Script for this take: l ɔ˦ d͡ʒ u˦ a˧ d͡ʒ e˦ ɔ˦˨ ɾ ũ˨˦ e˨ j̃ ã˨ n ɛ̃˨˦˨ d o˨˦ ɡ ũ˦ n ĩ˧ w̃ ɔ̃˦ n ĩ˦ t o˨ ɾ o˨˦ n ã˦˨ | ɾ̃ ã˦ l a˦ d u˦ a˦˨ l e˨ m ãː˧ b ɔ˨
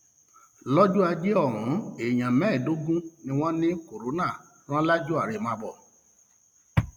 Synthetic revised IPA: l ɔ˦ d͡ʒ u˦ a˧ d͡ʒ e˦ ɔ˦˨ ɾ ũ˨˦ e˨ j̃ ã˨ m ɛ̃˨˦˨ d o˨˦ ɡ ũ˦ n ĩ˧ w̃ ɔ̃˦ n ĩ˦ k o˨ ɾ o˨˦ n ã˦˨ | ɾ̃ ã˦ l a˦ d͡ʒ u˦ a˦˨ ɾ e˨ m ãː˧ b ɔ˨